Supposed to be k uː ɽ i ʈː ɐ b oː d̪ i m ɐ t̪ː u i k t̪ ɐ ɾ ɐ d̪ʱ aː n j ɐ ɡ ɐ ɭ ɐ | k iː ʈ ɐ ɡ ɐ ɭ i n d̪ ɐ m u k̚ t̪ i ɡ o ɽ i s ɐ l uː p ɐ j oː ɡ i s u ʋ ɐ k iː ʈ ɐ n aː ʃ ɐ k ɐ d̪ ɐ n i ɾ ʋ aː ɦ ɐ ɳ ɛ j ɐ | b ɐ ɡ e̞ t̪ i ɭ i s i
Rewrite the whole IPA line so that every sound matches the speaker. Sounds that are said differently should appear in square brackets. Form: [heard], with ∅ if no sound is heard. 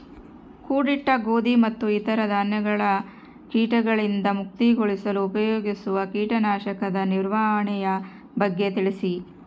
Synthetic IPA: k uː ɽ i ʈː ɐ [ɡ] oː d̪ i m ɐ t̪ː u i [∅] t̪ ɐ ɾ ɐ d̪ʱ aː n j ɐ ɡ ɐ ɭ ɐ | k iː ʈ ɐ ɡ ɐ ɭ i n d̪ ɐ m u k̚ t̪ i ɡ o [ɭ] i s ɐ l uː p ɐ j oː ɡ i s u ʋ ɐ k iː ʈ ɐ n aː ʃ ɐ k ɐ d̪ ɐ n i ɾ ʋ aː ɦ ɐ ɳ ɛ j ɐ | b ɐ [ɡː] e̞ t̪ i ɭ i s i

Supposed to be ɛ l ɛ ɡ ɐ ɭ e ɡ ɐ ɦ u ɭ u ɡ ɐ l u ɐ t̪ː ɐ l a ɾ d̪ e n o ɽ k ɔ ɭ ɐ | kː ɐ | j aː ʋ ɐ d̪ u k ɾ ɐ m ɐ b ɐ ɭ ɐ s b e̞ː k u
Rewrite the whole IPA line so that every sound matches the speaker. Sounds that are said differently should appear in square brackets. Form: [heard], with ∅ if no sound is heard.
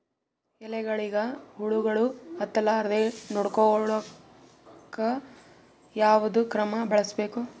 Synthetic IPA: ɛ l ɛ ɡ ɐ ɭ [i] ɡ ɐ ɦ u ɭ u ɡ ɐ [ɭ] u ɐ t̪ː ɐ l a ɾ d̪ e n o ɽ k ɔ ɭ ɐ | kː ɐ | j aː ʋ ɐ d̪ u k ɾ ɐ m ɐ b ɐ ɭ ɐ s b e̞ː k u

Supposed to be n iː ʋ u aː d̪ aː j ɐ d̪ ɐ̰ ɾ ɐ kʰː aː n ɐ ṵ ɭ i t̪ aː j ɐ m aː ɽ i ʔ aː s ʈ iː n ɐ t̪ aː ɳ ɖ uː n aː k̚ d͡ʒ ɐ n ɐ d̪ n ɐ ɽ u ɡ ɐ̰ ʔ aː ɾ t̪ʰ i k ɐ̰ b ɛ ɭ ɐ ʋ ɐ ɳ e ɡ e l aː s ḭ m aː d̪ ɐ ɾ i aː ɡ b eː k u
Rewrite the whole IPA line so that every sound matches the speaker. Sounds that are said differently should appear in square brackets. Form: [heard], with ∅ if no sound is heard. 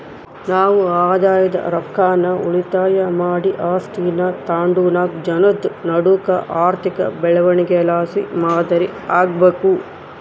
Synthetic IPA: n [aː] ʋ u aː d̪ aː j ɐ d̪ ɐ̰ ɾ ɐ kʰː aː n ɐ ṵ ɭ i t̪ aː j ɐ m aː ɽ i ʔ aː s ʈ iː n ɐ t̪ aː ɳ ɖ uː n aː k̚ d͡ʒ ɐ n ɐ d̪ n ɐ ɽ u [k] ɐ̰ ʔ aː ɾ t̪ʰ i k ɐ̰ b ɛ ɭ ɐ ʋ ɐ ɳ [i] ɡ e l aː s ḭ m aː d̪ ɐ ɾ i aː ɡ b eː k u

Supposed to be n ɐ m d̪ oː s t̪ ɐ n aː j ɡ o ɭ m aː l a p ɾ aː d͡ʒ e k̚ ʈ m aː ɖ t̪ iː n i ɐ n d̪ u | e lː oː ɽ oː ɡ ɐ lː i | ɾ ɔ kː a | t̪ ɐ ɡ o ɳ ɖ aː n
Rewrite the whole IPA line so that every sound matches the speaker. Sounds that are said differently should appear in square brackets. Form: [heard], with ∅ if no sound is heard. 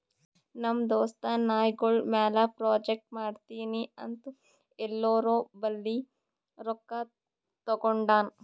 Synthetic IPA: n ɐ m d̪ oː s t̪ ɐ n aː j ɡ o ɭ m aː l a p ɾ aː d͡ʒ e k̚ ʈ m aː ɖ t̪ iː n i ɐ n [t̪] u | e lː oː [ɾ] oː [b] ɐ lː i | ɾ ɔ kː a | t̪ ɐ ɡ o ɳ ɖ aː n

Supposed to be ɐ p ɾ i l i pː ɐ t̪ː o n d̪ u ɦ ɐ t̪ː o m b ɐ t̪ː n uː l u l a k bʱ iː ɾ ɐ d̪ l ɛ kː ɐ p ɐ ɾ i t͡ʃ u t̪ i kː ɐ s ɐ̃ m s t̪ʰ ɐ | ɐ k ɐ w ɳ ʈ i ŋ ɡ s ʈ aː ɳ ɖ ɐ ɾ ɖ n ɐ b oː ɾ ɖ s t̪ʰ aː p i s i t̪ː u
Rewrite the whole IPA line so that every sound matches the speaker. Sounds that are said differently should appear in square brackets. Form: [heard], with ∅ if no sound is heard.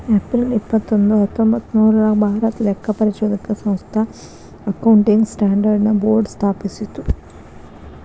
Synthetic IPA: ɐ p ɾ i l i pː ɐ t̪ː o n d̪ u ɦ ɐ t̪ː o m b ɐ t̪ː n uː [ɾ] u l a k bʱ [aː] ɾ ɐ [t̪] l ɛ kː ɐ p ɐ ɾ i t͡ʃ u [d̪] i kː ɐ s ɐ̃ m s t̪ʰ ɐ | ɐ k ɐ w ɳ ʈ i ŋ ɡ s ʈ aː ɳ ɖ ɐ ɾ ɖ n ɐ b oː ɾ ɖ s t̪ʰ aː p i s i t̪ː u

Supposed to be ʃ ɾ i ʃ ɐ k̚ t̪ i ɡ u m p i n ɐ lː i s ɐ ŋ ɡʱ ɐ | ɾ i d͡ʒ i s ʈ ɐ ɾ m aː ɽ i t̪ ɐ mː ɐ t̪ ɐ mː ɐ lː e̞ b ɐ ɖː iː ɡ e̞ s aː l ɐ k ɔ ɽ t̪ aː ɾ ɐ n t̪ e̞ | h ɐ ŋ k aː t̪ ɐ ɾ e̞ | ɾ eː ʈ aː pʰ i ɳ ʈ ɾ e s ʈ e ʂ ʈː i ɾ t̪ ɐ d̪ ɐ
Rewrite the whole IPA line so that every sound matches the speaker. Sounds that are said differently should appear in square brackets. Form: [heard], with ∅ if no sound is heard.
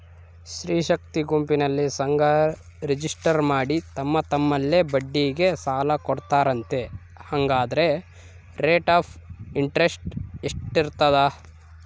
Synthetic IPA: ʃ ɾ [iː] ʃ ɐ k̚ t̪ i ɡ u m p i n ɐ lː i s ɐ ŋ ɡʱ ɐ | ɾ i d͡ʒ i s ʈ ɐ ɾ m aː ɽ i t̪ ɐ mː ɐ t̪ ɐ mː ɐ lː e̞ b ɐ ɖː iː ɡ e̞ s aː l ɐ k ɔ ɽ t̪ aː ɾ ɐ n t̪ e̞ | h ɐ ŋ [ɡ] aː [d̪] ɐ ɾ e̞ | ɾ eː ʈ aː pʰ i ɳ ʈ ɾ e s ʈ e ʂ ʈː i ɾ t̪ ɐ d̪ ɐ

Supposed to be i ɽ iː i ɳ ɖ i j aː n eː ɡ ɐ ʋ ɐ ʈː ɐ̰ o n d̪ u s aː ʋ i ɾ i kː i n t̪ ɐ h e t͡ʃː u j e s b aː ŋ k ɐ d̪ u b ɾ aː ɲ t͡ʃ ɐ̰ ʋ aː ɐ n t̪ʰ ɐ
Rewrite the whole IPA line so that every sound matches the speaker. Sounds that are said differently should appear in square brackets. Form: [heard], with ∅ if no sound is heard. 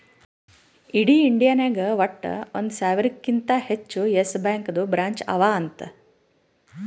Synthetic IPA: i ɽ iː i ɳ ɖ i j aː n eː ɡ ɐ ʋ ɐ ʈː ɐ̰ o n d̪ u s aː ʋ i ɾ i kː i n t̪ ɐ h e t͡ʃː u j e s b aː ŋ k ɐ d̪ u b ɾ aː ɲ t͡ʃ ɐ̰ ʋ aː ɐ n [t̪] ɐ

